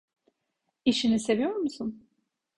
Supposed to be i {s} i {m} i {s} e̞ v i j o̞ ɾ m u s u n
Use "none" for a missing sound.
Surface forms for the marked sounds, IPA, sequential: ʃ, n, s

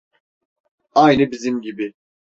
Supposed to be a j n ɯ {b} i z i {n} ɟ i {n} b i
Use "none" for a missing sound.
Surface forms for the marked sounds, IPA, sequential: b, m, none

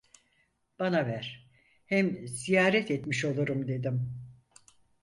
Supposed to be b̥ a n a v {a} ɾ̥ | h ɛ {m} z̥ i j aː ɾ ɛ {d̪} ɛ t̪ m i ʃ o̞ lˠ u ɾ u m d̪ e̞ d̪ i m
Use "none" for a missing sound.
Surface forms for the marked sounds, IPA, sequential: æ, m, t̪

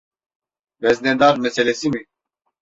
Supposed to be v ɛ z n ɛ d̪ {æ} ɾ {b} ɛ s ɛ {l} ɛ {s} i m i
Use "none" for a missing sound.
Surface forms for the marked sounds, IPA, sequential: a, m, l, s

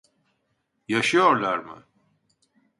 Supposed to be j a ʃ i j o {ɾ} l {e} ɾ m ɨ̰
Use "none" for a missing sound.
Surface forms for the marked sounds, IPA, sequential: ɾ, a

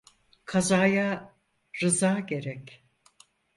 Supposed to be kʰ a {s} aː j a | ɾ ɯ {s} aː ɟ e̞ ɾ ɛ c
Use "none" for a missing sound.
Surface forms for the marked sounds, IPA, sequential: z, z

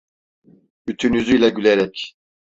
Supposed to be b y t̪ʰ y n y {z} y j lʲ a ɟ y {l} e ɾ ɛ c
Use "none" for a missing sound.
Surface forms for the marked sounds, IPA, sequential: z, l

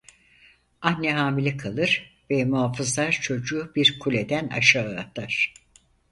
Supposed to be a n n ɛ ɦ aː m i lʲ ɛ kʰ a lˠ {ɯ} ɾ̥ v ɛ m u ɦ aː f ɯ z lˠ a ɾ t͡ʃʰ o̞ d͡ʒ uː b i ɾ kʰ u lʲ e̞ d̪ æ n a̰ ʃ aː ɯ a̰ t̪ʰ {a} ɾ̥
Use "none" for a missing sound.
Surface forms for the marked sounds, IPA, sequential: ɯ, a

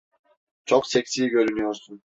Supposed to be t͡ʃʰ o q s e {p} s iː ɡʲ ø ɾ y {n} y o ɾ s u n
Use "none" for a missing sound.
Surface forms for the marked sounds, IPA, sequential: k, n

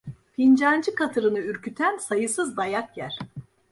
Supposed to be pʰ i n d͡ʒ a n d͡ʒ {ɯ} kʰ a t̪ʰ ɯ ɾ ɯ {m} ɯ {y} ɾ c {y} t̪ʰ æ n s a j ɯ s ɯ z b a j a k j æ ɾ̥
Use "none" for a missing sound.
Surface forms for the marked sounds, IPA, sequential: ɯ, n, y, y

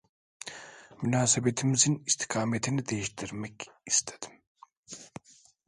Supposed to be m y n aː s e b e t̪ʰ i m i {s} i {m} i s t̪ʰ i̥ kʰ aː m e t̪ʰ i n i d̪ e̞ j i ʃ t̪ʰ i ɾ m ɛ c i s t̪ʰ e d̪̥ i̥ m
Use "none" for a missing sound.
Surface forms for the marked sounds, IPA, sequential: z, n

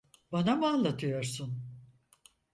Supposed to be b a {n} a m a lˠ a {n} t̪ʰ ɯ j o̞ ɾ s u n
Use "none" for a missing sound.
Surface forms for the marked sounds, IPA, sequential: n, none

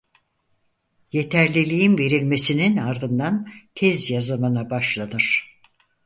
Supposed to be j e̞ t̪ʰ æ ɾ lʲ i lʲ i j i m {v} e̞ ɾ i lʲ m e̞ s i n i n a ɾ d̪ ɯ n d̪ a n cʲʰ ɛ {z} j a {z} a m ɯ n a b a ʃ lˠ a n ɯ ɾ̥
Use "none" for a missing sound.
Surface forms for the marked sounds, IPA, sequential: v, z, z

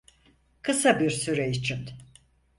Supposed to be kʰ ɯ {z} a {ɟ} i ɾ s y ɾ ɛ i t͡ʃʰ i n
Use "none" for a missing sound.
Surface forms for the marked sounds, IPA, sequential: s, b

